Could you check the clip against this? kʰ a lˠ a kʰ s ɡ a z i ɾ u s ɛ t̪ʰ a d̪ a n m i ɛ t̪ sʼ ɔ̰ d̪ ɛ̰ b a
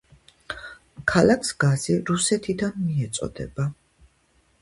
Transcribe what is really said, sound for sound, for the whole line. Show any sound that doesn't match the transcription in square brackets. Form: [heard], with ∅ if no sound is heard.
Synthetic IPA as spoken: kʰ a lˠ a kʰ s ɡ a z i ɾ u s ɛ t̪ʰ [i] d̪ a n m i ɛ t̪ sʼ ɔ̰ d̪ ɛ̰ b a